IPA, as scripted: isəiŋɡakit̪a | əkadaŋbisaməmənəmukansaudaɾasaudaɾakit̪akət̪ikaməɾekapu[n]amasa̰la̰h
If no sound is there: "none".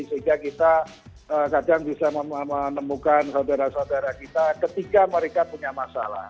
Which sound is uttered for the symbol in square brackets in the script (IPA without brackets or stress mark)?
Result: ɲ